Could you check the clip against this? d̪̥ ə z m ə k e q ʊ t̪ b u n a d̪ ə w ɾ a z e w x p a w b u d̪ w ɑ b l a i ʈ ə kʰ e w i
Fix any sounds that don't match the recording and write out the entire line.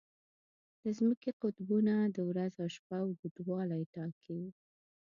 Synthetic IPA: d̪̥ ə z m ə k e q ʊ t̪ b u n a d̪ ə w ɾ a z a w ʃ p a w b u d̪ w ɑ l a j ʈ ɑ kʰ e w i